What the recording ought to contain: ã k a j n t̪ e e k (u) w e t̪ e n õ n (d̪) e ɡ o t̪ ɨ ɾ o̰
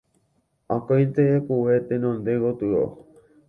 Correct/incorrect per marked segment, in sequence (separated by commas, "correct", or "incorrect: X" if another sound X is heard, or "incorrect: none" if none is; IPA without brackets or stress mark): correct, correct